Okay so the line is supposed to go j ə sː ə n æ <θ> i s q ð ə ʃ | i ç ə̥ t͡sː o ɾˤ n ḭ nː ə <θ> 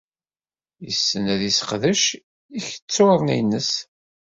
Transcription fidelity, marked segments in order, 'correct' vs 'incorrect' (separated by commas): incorrect, incorrect